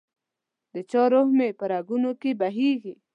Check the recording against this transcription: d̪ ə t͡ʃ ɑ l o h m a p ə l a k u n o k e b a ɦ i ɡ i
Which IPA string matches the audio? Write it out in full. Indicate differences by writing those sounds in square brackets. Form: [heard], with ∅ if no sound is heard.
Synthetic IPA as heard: d̪ ə t͡ʃ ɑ [ɾ] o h m [e] p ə [ɾ] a [ɡ] u n o k e b a ɦ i ɡ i